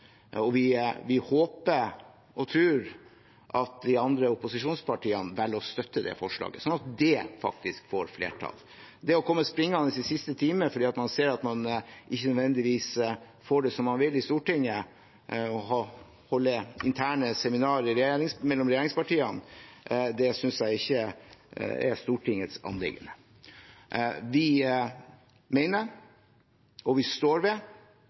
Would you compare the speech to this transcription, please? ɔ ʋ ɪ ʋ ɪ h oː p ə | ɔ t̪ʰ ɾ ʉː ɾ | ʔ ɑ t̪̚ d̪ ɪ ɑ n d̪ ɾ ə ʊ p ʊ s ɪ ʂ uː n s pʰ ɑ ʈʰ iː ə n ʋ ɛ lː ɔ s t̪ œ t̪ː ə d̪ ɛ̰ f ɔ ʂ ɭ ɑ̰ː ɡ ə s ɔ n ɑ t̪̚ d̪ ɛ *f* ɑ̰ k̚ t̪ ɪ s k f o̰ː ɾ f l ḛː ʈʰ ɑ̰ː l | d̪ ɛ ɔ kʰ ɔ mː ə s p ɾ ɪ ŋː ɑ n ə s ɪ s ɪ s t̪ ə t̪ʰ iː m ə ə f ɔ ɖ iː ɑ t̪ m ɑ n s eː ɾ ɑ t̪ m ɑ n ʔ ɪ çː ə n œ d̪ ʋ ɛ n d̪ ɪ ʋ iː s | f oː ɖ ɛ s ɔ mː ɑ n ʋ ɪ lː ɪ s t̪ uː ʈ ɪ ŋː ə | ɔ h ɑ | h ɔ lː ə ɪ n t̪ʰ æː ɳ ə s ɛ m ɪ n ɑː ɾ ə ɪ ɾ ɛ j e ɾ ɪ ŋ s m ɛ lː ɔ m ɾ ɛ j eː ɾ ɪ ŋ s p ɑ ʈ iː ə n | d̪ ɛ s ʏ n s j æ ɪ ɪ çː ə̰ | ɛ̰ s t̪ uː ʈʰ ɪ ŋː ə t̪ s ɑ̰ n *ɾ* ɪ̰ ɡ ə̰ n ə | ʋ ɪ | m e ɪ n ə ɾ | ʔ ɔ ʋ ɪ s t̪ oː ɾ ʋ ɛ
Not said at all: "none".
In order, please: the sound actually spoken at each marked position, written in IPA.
f, l

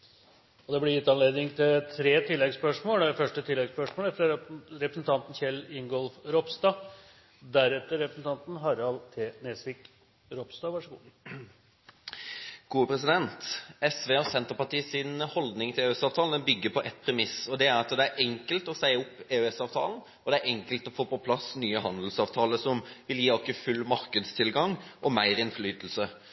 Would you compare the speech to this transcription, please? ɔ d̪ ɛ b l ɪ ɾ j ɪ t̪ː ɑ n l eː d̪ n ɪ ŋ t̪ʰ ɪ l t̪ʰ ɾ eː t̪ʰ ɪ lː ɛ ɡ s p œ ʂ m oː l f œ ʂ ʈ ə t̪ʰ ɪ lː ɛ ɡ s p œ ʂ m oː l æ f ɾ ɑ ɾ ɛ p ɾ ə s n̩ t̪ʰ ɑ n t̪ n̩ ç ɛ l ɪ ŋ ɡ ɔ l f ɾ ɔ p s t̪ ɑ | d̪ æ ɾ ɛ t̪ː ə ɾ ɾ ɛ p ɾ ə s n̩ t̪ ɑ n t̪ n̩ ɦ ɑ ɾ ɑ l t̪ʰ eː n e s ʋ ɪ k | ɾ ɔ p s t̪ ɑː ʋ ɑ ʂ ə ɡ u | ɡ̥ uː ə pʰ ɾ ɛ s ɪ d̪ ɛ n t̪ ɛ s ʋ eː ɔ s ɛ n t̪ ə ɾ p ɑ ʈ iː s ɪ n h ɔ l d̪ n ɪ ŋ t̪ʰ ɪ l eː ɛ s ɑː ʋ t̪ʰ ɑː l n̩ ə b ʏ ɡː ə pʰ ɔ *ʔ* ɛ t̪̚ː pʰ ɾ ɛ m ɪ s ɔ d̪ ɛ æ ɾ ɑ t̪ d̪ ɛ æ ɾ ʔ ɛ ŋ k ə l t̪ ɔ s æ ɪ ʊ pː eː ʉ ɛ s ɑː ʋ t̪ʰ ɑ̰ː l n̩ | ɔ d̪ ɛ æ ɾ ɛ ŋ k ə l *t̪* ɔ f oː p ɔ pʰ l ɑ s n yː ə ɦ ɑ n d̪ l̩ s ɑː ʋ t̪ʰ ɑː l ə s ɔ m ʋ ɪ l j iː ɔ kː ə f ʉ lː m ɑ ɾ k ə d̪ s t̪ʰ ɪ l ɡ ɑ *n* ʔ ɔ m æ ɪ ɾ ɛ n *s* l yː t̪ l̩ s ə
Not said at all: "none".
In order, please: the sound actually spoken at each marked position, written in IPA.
ʔ, t̪, ŋ, f

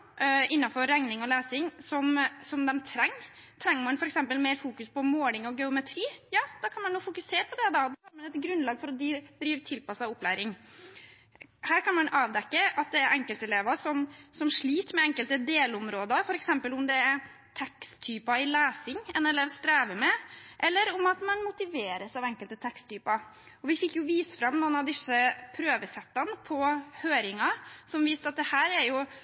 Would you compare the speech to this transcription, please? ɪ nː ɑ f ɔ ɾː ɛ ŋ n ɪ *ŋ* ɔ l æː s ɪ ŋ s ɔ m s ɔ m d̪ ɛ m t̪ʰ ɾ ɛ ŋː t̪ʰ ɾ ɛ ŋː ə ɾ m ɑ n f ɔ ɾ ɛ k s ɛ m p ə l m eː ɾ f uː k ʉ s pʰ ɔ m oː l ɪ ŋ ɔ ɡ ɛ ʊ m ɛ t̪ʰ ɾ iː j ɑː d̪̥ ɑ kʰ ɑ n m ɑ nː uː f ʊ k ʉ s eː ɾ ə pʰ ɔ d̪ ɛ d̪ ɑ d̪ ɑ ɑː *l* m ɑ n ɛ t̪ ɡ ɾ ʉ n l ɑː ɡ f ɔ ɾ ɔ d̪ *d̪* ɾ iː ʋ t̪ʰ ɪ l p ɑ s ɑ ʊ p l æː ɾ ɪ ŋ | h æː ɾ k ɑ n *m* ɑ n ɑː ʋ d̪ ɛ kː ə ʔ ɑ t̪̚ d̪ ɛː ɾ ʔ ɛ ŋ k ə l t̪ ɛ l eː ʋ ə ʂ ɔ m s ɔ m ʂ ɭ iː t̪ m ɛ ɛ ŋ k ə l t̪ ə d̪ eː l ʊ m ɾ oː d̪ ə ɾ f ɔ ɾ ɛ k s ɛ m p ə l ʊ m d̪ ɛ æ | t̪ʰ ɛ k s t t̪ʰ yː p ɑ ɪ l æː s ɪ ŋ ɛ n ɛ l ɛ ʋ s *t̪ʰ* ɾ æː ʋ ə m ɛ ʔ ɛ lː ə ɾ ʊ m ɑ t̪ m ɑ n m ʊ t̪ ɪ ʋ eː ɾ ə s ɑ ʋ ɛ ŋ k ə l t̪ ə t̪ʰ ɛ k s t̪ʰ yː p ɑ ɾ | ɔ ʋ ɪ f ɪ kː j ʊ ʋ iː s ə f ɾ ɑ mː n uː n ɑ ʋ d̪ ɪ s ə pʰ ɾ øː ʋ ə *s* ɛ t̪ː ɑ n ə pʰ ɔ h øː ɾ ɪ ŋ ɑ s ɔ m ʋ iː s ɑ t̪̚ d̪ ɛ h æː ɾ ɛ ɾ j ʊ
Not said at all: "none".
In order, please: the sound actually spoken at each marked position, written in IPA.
ŋ, ɾ, d̪, m, t̪, s

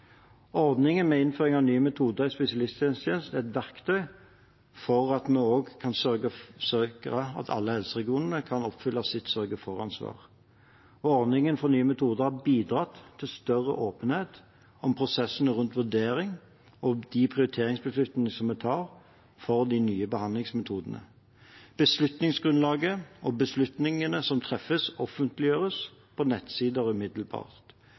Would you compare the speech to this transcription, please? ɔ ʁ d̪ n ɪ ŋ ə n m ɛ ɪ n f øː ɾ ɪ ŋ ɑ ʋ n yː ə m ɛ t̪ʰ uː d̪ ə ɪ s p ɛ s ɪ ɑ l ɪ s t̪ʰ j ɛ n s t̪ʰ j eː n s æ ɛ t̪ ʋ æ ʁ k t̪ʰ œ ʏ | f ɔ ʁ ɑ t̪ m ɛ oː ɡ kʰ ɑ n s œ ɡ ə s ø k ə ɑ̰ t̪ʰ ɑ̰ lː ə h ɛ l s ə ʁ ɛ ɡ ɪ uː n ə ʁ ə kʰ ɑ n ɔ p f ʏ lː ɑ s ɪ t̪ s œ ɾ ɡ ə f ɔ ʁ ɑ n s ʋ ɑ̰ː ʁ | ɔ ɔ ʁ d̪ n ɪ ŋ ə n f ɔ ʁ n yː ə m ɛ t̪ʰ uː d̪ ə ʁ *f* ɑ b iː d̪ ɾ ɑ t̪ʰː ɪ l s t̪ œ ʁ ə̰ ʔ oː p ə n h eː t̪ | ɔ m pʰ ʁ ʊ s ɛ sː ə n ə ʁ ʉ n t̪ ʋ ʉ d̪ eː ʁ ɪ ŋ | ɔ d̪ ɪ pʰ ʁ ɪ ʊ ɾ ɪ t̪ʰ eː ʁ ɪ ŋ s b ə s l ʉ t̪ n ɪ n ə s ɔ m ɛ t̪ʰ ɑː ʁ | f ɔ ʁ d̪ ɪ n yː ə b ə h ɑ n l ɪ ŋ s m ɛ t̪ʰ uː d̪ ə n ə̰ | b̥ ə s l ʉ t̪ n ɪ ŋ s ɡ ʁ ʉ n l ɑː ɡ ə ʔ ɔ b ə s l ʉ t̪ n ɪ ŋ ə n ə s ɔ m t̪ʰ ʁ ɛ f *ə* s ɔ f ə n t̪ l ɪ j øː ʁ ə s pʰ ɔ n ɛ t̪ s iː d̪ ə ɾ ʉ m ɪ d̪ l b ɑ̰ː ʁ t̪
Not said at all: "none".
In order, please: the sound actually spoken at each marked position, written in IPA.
h, ə

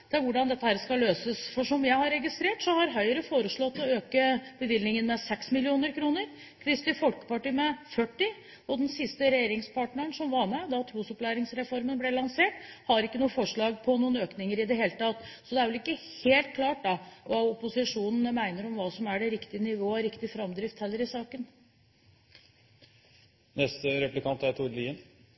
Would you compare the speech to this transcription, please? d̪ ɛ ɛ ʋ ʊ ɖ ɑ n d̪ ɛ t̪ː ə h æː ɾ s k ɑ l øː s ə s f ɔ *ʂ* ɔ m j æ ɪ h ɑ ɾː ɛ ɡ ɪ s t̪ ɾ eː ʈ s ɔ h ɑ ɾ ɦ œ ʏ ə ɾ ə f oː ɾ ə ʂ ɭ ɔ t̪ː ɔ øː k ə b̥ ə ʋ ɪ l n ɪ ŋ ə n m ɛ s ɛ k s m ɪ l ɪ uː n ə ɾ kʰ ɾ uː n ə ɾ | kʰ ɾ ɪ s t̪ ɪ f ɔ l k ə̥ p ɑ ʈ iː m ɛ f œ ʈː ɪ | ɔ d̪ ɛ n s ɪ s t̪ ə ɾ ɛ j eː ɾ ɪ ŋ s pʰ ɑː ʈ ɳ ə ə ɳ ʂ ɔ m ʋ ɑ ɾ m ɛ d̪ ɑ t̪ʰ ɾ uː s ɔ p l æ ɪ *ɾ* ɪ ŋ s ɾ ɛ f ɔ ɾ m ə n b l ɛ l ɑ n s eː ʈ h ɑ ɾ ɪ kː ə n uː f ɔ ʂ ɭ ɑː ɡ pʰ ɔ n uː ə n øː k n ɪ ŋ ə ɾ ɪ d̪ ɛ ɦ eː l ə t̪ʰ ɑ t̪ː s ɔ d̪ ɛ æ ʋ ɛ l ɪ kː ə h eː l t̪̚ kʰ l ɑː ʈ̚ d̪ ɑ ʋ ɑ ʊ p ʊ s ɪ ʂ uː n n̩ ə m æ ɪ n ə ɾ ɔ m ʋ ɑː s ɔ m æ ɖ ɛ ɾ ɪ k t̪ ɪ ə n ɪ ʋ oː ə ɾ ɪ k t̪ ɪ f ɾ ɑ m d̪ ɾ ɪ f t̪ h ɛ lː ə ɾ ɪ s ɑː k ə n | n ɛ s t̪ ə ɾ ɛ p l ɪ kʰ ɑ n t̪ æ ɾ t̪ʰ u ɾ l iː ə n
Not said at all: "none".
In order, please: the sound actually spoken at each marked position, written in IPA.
ʂ, ɾ

